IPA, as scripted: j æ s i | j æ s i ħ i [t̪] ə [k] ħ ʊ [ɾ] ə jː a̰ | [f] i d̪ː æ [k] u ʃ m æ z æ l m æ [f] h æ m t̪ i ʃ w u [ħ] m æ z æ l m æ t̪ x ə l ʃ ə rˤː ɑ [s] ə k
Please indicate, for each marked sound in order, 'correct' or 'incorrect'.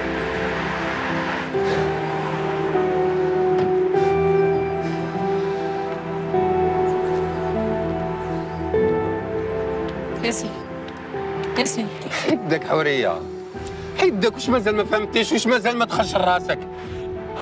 incorrect: d̪, correct, correct, incorrect: ħ, correct, correct, incorrect: ʃ, correct

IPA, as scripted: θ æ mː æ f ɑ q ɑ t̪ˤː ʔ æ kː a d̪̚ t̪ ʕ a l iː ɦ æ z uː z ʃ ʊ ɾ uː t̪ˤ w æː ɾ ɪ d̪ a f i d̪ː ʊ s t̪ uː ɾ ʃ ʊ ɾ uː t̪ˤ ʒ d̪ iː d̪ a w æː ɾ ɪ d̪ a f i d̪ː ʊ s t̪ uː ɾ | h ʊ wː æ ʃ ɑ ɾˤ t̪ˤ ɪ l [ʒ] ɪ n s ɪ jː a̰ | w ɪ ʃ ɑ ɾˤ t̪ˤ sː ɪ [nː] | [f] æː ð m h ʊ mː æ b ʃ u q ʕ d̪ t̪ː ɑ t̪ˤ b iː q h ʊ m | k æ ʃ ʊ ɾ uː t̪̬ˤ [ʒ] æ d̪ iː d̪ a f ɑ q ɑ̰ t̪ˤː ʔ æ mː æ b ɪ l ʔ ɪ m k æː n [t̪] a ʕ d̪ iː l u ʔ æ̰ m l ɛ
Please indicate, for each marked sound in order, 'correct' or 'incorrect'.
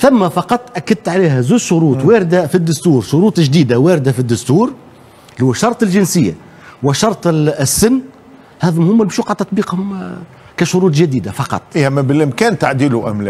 correct, correct, incorrect: h, correct, correct

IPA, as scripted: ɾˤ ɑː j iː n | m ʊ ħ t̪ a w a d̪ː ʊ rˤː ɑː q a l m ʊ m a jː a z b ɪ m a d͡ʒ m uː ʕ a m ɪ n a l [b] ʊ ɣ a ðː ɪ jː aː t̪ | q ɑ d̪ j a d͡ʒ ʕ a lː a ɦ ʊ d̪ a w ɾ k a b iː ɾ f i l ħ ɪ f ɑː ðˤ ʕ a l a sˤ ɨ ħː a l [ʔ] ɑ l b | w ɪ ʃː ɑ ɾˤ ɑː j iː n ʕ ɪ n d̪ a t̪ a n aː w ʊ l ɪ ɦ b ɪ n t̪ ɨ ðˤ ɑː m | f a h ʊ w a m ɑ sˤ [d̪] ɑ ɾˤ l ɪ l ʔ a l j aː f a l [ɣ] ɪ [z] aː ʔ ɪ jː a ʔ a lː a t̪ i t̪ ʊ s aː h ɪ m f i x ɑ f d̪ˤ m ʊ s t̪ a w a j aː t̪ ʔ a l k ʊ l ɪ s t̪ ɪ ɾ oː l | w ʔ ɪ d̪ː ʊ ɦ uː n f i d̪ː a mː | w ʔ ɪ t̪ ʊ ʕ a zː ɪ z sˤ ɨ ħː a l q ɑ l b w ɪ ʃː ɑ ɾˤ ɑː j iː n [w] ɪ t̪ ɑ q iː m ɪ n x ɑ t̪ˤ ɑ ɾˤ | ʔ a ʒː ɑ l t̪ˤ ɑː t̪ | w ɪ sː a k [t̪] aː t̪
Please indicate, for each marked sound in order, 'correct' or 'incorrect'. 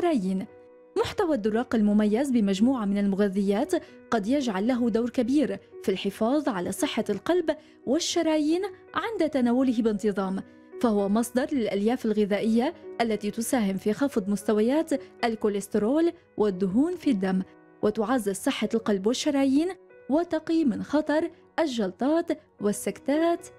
incorrect: m, incorrect: q, correct, correct, incorrect: ð, correct, correct

